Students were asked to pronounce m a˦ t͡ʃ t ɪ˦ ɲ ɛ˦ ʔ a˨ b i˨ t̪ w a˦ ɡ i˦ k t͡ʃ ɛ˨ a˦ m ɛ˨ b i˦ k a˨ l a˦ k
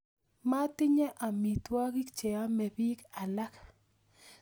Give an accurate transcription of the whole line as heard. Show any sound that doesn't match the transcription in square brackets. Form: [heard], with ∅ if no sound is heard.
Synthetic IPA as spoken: m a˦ [∅] t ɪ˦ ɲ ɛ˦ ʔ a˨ [m] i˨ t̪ w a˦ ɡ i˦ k t͡ʃ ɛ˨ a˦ m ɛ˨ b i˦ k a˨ l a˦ k